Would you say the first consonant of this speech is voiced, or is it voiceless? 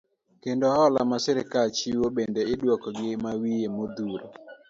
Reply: voiceless